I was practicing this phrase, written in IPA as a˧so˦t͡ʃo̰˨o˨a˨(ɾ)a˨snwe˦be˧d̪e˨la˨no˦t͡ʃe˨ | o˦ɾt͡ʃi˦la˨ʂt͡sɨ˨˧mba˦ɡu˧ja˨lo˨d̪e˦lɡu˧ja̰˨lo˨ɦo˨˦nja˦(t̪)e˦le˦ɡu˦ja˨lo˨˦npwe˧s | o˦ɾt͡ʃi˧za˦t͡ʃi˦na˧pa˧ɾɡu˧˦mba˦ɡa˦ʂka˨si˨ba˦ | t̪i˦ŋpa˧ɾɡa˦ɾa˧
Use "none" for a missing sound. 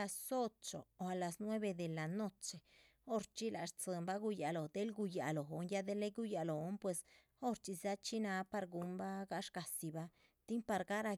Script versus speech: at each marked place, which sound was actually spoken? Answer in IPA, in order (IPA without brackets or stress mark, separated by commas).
l, d̪